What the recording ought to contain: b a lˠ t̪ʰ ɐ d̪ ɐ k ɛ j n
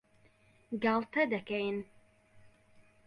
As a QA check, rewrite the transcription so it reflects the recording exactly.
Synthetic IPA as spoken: ɡ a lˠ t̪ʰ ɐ d̪ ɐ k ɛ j n